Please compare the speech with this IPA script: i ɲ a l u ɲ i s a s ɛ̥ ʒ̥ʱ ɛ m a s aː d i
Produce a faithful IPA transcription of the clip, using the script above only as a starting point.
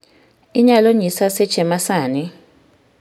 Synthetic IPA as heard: i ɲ a l o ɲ i s a s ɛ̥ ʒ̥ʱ ɛ m a s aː n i